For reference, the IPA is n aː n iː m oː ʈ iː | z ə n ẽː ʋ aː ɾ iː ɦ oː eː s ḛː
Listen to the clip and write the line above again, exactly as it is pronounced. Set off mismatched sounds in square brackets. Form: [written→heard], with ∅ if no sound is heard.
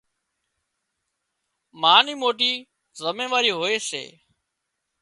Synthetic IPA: [n→m] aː n iː m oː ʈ iː | z ə [n→m] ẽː ʋ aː ɾ iː ɦ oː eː s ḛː